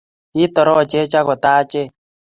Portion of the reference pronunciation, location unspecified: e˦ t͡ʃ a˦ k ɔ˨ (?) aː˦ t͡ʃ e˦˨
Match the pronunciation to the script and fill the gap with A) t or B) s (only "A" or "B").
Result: A